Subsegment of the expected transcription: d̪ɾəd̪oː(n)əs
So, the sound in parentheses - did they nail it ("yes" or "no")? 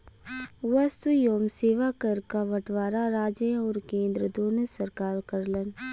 yes